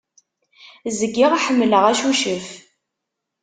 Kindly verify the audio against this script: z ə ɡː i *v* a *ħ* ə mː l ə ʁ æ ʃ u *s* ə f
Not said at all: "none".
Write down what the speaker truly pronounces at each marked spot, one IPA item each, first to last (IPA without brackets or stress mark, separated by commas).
ʁ, ħ, ʃ